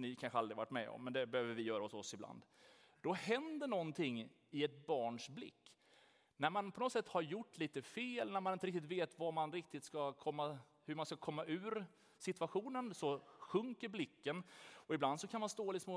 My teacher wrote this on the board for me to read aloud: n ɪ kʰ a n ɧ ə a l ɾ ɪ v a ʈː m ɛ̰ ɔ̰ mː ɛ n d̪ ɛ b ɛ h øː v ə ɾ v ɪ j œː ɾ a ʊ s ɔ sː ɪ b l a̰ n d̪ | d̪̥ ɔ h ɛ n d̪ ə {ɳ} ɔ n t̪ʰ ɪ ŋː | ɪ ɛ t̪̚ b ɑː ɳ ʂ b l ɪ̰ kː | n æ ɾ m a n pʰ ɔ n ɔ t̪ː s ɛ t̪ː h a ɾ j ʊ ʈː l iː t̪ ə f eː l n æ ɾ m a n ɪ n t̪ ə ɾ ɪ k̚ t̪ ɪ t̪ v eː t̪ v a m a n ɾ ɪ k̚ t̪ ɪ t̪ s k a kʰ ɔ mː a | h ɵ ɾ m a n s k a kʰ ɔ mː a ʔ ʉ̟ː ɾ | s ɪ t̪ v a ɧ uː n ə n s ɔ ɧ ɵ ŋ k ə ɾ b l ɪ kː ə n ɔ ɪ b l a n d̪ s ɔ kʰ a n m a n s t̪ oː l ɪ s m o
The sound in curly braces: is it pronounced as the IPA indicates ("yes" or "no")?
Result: yes